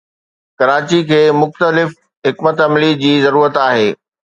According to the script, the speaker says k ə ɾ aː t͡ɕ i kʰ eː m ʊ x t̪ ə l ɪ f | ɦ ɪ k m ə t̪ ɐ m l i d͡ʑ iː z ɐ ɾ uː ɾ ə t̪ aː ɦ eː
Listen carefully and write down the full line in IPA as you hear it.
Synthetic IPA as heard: k ɐ ɾ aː t͡ɕ i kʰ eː m ʊ x t̪ ə l ɪ f | ɦ ɪ k m ə t̪ ɐ m l i d͡ʑ iː z ɐ ɾ uː ɾ ə t̪ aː ɦ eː